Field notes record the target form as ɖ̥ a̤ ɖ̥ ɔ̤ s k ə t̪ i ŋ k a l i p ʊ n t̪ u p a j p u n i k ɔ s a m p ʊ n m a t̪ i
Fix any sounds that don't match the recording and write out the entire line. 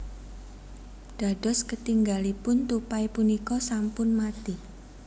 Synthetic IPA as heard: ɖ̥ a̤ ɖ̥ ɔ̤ s k ə t̪ i ŋ ɡ a l i p ʊ n t̪ u p a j p u n i k ɔ s a m p ʊ n m a t̪ i